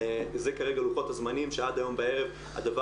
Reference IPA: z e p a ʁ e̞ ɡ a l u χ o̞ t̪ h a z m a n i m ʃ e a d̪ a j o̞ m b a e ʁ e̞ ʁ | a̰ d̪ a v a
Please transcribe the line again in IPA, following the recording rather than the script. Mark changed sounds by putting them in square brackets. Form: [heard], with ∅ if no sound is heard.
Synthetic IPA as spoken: z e [k] a ʁ e̞ ɡ a l u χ o̞ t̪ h a z m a n i m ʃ e a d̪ a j o̞ m b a e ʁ e̞ [v] | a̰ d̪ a v a